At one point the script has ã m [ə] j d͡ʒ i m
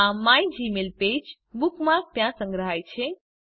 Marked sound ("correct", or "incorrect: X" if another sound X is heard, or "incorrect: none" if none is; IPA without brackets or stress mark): incorrect: a